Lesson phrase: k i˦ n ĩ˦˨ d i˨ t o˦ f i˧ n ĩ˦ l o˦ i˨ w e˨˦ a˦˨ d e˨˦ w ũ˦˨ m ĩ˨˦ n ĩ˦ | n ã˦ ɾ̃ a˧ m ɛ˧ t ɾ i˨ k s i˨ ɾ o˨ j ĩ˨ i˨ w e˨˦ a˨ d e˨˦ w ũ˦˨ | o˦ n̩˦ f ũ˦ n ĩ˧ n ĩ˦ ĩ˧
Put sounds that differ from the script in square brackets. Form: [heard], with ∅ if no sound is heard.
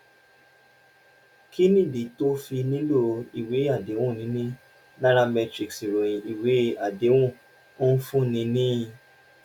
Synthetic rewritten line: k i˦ n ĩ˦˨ d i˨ t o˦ f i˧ n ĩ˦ l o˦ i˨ w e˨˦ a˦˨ d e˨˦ w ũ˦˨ [n] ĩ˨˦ n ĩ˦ | n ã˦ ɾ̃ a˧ m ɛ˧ t ɾ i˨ k s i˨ ɾ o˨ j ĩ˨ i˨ w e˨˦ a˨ d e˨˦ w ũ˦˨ | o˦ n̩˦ f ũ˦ n ĩ˧ n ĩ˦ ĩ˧